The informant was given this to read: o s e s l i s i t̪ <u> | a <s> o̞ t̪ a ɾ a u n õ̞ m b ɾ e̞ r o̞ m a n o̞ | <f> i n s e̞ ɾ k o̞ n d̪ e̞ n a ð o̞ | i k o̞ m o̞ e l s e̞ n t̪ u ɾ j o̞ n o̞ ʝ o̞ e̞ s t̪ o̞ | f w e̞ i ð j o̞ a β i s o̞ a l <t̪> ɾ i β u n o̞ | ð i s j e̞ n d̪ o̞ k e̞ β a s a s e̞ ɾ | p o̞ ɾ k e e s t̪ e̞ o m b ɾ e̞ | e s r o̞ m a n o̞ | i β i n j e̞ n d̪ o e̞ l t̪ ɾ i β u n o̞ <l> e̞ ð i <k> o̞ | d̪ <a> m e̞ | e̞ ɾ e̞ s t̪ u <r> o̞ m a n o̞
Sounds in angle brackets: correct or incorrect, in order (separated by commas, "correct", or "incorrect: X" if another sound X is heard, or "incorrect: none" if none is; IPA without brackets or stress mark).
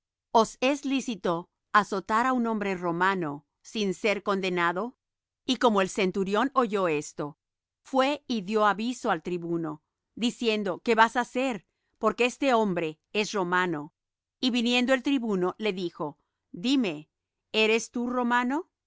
incorrect: o, correct, incorrect: s, correct, correct, incorrect: x, incorrect: i, correct